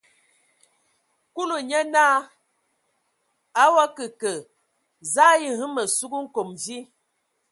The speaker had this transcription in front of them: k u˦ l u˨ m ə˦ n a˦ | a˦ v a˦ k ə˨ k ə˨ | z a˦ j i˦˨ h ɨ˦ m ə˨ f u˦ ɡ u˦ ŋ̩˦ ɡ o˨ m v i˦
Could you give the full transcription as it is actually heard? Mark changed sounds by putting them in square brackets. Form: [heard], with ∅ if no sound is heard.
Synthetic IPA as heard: k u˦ l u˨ [ɲ] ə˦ n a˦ | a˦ [w] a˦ k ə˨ k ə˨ | z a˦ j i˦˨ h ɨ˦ m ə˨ [s] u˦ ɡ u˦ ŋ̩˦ [k] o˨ m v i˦